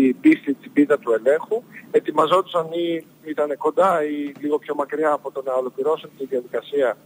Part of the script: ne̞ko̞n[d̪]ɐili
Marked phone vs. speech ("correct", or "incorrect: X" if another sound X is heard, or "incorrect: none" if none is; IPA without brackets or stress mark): correct